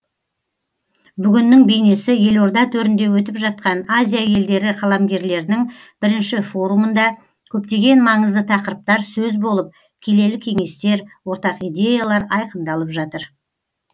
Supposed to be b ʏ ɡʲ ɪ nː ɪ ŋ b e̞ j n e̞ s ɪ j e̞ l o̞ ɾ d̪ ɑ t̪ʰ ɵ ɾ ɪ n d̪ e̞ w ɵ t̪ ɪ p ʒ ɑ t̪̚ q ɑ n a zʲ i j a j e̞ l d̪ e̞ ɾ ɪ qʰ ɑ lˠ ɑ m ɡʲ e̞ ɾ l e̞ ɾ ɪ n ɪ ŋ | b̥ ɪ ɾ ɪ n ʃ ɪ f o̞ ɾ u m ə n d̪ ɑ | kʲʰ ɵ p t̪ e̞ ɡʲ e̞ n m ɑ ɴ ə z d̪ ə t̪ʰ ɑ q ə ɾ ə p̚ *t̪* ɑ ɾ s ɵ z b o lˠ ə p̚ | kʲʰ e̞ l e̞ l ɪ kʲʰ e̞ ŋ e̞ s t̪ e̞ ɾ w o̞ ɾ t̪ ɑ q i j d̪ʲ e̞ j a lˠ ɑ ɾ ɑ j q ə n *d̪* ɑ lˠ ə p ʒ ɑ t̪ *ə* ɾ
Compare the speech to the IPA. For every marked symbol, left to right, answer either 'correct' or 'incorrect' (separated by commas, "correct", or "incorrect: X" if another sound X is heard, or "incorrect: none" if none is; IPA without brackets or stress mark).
correct, correct, correct